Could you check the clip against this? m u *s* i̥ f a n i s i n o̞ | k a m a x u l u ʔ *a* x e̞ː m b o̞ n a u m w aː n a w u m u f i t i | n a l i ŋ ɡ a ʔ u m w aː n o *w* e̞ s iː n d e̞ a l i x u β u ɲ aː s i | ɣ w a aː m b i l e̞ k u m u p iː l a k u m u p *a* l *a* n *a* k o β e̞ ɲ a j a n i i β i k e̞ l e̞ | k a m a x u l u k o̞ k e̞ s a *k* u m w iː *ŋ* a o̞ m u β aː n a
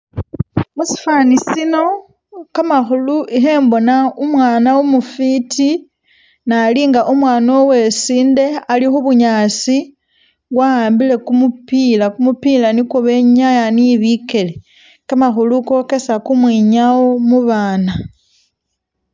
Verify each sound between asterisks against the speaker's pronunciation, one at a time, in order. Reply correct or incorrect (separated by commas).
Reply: correct, incorrect, correct, incorrect, correct, incorrect, correct, incorrect